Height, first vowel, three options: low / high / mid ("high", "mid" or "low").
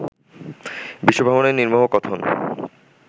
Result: high